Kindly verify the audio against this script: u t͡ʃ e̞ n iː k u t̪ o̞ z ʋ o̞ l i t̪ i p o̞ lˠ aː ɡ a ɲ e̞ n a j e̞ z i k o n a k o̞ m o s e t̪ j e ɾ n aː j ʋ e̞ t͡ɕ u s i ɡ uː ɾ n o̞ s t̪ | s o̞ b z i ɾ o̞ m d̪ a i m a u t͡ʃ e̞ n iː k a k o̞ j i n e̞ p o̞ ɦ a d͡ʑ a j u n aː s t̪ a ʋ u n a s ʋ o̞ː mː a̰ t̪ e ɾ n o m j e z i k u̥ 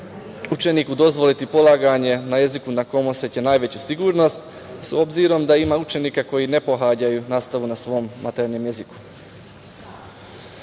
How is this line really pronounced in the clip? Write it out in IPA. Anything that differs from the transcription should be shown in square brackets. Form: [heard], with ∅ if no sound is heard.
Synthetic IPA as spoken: u t͡ʃ e̞ n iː k u [d̪] o̞ z ʋ o̞ l i t̪ i p o̞ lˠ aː ɡ a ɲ e̞ n a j e̞ z i k [u] n a k o̞ m o s e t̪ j e [∅] n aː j ʋ e̞ t͡ɕ u s i ɡ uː ɾ n o̞ s t̪ | s o̞ b z i ɾ o̞ m d̪ a i m a u t͡ʃ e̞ n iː k a k o̞ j i n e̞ p o̞ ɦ a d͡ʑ a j u n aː s t̪ a ʋ u n a s ʋ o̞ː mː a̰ t̪ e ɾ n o m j e z i k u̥